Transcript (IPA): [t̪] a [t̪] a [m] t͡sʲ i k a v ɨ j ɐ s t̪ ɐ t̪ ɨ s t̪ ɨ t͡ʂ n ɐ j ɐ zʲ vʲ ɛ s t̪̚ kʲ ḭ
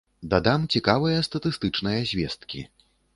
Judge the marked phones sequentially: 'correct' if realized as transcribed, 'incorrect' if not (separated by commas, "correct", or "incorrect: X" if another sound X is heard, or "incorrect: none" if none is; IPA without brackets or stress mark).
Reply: incorrect: d̪, incorrect: d̪, correct